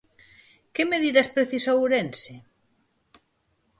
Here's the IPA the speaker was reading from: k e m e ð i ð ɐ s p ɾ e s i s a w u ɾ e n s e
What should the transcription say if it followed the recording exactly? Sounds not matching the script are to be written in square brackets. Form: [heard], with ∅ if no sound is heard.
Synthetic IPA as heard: k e m e ð i ð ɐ s p ɾ e [θ] i s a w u ɾ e n s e